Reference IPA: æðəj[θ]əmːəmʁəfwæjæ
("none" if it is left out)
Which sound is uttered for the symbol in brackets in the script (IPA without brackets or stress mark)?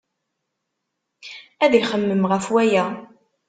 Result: χ